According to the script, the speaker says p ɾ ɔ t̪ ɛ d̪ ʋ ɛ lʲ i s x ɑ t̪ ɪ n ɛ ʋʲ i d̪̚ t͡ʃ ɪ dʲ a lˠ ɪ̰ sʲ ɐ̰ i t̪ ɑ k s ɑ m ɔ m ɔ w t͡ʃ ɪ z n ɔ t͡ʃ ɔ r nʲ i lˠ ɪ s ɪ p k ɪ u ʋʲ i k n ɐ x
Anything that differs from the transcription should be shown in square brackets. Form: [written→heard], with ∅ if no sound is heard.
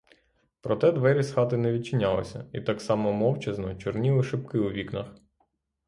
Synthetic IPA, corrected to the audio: p ɾ ɔ t̪ ɛ d̪ ʋ ɛ [lʲ→ɾʲ] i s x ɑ t̪ ɪ n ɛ ʋʲ i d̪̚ t͡ʃ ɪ [dʲ→nʲ] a lˠ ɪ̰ sʲ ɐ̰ i t̪ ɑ k s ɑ m ɔ m ɔ w t͡ʃ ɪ z n ɔ t͡ʃ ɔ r nʲ i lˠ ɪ [s→ʃ] ɪ p k ɪ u ʋʲ i k n ɐ x